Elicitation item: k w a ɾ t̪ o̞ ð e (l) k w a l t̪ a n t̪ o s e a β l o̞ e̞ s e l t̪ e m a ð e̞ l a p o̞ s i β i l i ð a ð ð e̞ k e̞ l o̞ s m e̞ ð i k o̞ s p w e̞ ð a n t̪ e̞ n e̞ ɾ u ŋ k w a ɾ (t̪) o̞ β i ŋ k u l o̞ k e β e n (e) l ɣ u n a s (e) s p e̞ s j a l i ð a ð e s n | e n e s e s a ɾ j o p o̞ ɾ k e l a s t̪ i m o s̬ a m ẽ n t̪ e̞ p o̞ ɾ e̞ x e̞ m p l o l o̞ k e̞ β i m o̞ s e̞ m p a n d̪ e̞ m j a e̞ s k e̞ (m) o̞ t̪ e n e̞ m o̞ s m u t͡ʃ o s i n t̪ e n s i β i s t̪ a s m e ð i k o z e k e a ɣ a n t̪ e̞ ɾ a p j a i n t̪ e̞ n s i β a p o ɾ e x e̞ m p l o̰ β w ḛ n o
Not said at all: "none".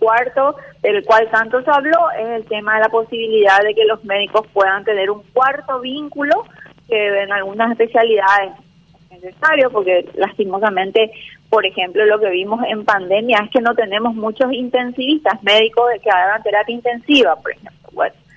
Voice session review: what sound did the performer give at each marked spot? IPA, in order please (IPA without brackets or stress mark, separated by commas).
l, t̪, a, e, n